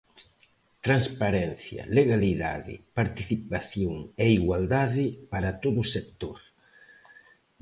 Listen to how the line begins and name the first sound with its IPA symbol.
t̪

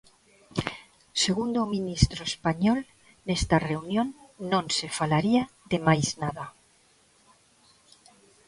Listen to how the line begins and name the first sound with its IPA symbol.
s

